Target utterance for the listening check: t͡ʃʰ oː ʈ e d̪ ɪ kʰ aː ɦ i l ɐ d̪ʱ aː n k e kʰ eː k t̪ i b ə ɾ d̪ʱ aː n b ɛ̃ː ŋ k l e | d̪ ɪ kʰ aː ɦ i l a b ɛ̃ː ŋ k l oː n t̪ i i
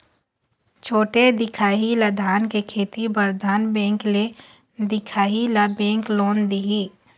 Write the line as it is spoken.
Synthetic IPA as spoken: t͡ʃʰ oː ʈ e d̪ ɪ kʰ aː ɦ i l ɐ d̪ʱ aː n k e kʰ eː t̪ i b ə ɾ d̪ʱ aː n b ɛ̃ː ŋ k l e | d̪ ɪ kʰ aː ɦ i l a b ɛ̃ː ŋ k l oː n d̪ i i